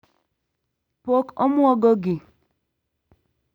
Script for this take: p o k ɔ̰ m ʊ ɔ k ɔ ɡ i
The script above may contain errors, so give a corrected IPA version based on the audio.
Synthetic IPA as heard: p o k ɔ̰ m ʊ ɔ ɡ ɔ ɡ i